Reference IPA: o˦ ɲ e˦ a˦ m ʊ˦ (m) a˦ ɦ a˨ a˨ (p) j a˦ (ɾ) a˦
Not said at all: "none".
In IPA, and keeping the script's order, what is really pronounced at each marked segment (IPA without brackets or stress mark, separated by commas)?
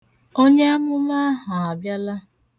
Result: m, b, l